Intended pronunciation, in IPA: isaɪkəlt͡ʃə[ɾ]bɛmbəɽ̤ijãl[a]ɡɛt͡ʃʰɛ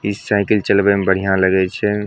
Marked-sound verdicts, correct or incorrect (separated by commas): incorrect, incorrect